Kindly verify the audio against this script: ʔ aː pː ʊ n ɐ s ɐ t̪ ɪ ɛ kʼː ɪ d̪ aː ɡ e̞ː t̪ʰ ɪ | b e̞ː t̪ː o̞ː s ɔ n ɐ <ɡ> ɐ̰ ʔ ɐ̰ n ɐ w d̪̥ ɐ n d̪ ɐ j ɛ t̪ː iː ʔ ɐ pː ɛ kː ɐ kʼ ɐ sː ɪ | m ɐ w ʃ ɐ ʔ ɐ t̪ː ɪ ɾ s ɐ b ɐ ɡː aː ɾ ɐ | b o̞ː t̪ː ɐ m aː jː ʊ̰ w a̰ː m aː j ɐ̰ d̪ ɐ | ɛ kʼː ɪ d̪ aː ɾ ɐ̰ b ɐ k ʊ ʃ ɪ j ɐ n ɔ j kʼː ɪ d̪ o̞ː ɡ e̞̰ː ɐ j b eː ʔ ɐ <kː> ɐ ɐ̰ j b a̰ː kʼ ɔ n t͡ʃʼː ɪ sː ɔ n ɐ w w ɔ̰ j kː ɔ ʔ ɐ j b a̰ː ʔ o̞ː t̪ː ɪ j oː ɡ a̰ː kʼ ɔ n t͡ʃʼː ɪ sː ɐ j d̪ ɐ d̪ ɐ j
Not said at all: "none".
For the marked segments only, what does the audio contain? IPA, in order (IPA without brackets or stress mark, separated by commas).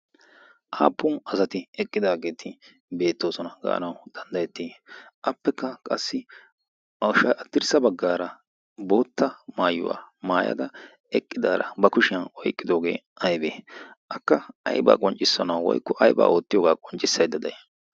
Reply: ɡ, kː